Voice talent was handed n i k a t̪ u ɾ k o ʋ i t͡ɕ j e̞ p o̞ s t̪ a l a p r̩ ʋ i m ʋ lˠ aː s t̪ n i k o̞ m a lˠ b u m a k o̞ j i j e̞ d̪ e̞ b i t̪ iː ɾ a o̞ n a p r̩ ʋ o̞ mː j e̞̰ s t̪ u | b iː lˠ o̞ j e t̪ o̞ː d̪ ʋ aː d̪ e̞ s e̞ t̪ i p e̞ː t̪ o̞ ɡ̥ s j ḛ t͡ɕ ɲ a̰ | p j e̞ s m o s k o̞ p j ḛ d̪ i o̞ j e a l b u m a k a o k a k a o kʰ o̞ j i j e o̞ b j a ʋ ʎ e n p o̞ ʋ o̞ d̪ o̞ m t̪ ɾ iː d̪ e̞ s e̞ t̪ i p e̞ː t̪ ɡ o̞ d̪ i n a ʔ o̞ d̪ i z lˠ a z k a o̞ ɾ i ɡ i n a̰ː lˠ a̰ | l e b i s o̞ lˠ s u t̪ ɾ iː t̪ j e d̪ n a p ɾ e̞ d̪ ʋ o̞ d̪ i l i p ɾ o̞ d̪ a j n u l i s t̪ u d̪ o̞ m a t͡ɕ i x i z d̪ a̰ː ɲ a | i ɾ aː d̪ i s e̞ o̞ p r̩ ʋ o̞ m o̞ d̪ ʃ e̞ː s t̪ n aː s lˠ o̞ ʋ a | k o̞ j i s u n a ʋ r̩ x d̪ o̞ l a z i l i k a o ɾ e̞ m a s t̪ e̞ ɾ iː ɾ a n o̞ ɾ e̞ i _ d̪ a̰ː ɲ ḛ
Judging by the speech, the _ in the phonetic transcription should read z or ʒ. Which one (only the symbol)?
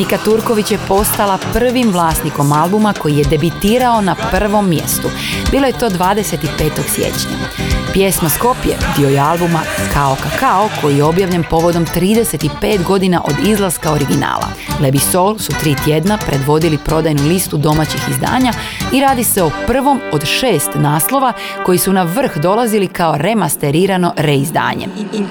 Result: z